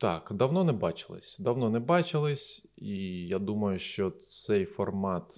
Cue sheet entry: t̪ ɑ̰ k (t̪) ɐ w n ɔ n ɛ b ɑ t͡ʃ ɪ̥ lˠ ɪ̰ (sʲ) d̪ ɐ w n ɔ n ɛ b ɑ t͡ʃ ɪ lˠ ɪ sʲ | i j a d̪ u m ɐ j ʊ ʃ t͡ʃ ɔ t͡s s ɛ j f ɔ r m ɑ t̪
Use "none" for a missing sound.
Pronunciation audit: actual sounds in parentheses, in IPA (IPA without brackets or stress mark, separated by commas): d̪, sʲ